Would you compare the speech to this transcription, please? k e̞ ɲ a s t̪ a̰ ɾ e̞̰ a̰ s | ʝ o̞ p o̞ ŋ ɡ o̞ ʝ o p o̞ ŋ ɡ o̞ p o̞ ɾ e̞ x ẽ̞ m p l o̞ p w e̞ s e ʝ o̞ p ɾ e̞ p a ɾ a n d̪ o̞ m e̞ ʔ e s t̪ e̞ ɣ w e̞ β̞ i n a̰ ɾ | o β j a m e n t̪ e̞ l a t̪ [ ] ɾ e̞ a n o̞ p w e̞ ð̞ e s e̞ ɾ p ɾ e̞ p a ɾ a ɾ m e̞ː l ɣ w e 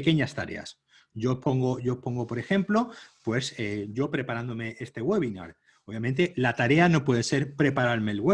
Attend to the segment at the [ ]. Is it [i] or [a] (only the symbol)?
a